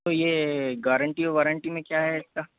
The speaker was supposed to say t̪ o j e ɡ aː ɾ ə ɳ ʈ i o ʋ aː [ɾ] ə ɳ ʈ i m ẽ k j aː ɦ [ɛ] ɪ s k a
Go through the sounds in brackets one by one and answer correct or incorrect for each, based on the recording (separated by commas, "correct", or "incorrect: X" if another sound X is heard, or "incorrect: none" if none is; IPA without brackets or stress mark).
correct, correct